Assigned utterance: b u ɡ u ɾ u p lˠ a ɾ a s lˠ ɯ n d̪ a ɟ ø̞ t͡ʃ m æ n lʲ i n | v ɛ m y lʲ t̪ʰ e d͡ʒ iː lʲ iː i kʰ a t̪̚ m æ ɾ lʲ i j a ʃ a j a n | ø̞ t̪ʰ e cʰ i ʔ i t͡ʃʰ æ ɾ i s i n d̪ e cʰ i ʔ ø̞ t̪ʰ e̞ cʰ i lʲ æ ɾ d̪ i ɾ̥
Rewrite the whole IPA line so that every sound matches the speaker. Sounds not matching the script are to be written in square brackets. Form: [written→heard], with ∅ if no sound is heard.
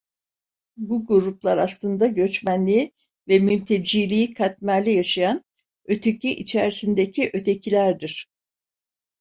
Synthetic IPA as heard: b u ɡ u ɾ u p lˠ a ɾ a s lˠ ɯ n d̪ a ɟ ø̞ t͡ʃ m æ n lʲ i [n→∅] | v ɛ m y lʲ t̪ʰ e d͡ʒ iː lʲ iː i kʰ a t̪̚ m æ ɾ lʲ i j a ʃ a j a n | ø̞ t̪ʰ e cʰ i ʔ i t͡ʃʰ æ ɾ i s i n d̪ e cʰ i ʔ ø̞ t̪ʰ e̞ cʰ i lʲ æ ɾ d̪ i ɾ̥

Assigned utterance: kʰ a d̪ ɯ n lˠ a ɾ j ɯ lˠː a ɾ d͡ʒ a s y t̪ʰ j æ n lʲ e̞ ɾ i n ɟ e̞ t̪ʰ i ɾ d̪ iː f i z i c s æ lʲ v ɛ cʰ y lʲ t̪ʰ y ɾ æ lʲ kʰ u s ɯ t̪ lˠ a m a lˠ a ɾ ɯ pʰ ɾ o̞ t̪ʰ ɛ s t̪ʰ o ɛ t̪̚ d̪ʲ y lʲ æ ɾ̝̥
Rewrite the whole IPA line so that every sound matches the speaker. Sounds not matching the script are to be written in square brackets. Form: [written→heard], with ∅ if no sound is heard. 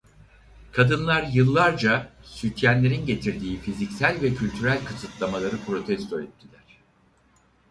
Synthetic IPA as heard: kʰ a d̪ ɯ n lˠ a ɾ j ɯ lˠː a ɾ d͡ʒ a s y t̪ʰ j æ n lʲ e̞ ɾ i n ɟ e̞ t̪ʰ i ɾ d̪ iː f i z i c s æ lʲ v ɛ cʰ y lʲ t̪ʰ y ɾ æ lʲ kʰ [u→ɯ] s ɯ t̪ lˠ a m a lˠ a ɾ ɯ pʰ ɾ o̞ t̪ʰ ɛ s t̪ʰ o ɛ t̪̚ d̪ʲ [y→i] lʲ æ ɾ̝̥

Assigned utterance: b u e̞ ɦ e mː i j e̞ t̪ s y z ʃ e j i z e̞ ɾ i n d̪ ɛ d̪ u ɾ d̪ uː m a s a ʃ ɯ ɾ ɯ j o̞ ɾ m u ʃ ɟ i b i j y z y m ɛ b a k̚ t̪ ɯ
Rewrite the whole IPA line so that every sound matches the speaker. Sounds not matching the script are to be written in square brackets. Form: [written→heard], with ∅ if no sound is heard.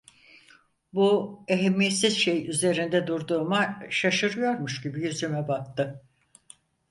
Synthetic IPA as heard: b u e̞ ɦ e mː i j e̞ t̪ s [y→i] z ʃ e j [i→y] z e̞ ɾ i n d̪ ɛ d̪ u ɾ d̪ uː m a [s→ʃ] a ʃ ɯ ɾ ɯ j o̞ ɾ m u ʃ ɟ i b i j y z y m ɛ b a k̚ t̪ ɯ

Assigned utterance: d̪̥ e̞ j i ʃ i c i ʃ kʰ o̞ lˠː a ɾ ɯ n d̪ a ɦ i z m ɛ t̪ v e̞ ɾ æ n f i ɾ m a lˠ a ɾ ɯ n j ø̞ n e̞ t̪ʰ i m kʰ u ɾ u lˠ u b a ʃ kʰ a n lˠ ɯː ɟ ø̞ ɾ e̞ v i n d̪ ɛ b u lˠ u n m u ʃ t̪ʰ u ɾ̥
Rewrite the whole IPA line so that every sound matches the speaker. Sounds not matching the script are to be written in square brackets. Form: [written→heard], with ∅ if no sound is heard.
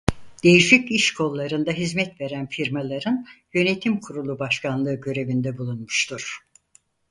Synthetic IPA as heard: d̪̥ e̞ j i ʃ i c i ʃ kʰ o̞ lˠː a ɾ ɯ n d̪ a ɦ i z m ɛ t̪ v e̞ ɾ æ n f i ɾ m a lˠ a ɾ ɯ n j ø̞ n e̞ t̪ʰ i m kʰ u ɾ u lˠ u b a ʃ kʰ a n lˠ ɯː ɟ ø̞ ɾ e̞ v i n d̪ ɛ b u lˠ u n m u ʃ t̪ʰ u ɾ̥

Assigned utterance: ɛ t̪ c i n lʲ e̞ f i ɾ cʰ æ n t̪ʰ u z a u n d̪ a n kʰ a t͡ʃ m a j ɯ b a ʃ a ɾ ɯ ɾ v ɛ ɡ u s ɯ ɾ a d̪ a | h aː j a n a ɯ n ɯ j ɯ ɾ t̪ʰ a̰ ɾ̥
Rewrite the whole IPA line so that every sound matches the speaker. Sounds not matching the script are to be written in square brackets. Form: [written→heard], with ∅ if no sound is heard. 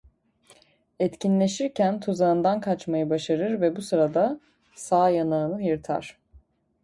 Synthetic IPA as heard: ɛ t̪ c i n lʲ e̞ [f→ʃ] i ɾ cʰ æ n t̪ʰ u z a [u→ɯ] n d̪ a n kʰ a t͡ʃ m a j ɯ b a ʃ a ɾ ɯ ɾ v ɛ [ɡ→b] u s ɯ ɾ a d̪ a | [h→s] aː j a n a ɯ n ɯ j ɯ ɾ t̪ʰ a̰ ɾ̥

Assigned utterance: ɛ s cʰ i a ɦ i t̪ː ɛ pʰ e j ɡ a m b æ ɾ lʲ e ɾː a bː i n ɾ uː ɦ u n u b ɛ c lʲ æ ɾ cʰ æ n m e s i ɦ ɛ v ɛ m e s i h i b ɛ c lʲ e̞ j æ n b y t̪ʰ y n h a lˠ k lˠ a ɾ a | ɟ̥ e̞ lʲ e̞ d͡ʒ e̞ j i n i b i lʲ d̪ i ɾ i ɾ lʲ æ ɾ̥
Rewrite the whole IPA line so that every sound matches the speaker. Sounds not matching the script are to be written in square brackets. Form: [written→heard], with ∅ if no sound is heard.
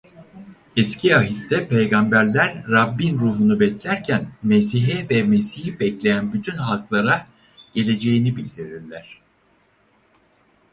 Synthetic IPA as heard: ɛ s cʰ i a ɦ i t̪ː ɛ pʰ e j ɡ a m b æ ɾ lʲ [e→æ] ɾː a bː i n ɾ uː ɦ u n u b ɛ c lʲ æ ɾ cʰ æ n m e s i ɦ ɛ v ɛ m e s i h i b ɛ c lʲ e̞ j æ n b y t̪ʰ y n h a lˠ k lˠ a ɾ a | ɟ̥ e̞ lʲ e̞ d͡ʒ e̞ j i n i b i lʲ d̪ i ɾ i ɾ lʲ æ ɾ̥

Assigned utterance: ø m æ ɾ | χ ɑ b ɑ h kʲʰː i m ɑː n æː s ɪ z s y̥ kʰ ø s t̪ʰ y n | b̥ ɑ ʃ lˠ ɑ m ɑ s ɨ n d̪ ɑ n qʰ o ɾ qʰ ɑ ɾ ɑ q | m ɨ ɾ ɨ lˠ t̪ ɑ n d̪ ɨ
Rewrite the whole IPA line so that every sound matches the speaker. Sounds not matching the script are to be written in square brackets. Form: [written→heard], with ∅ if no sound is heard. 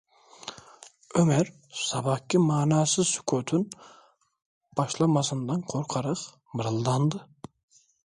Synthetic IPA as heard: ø m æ ɾ | [χ→s] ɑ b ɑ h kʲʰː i m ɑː n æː s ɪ z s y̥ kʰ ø [s→∅] t̪ʰ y n | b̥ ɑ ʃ lˠ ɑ m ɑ s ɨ n d̪ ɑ n qʰ o ɾ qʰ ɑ ɾ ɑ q | m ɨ ɾ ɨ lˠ [t̪→d̪] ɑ n d̪ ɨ

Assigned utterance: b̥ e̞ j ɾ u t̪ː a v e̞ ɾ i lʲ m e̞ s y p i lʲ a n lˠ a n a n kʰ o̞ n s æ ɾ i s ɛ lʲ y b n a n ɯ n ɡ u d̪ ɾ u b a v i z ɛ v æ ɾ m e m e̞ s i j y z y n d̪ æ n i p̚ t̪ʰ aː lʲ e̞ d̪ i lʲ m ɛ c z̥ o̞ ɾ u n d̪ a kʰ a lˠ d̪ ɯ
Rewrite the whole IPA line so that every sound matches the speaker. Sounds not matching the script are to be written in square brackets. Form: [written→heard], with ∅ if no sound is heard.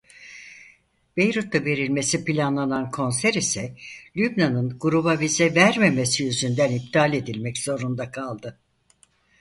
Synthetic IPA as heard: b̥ e̞ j ɾ u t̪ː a v e̞ ɾ i lʲ m e̞ s [y→i] p i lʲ a n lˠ a n a n kʰ o̞ n s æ ɾ i s ɛ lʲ y b n a n ɯ n ɡ u [d̪→∅] ɾ u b a v i z ɛ v æ ɾ m e m e̞ s i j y z y n d̪ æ n i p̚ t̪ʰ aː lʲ e̞ d̪ i lʲ m ɛ c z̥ o̞ ɾ u n d̪ a kʰ a lˠ d̪ ɯ

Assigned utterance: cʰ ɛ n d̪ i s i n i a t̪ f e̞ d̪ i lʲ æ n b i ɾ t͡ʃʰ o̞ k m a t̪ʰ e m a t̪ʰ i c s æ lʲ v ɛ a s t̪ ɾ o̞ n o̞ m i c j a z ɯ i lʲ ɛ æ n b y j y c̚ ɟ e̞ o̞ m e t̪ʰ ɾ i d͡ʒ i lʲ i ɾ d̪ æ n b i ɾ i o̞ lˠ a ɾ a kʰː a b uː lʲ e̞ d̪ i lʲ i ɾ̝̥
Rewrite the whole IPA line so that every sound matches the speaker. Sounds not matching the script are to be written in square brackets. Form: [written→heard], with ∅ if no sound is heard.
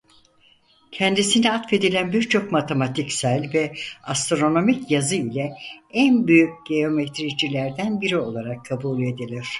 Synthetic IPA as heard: cʰ ɛ n d̪ i s i n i a t̪ f e̞ d̪ i lʲ æ n b i ɾ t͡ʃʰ o̞ k m a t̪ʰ e m a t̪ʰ i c s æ lʲ v ɛ a s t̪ ɾ o̞ n o̞ m i c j a z ɯ i lʲ ɛ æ n b y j y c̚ ɟ e̞ o̞ m e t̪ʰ ɾ i d͡ʒ i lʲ [i→æ] ɾ d̪ æ n b i ɾ i o̞ lˠ a ɾ a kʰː a b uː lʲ e̞ d̪ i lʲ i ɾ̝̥

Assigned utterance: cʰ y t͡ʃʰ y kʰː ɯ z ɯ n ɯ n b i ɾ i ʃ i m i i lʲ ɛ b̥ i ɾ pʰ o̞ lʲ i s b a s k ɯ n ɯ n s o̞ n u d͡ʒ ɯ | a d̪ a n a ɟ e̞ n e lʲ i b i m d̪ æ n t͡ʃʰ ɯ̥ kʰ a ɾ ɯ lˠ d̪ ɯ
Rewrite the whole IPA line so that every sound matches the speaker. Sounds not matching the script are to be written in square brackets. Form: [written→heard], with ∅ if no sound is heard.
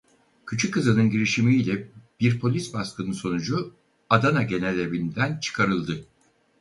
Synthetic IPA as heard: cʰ y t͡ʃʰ y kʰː ɯ z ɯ n ɯ n [b→ɟ] i ɾ i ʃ i m i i lʲ ɛ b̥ i ɾ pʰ o̞ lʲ i s b a s k ɯ n ɯ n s o̞ n u d͡ʒ [ɯ→u] | a d̪ a n a ɟ e̞ n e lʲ [i→e] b i [m→n] d̪ æ n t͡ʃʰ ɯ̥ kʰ a ɾ ɯ lˠ d̪ ɯ

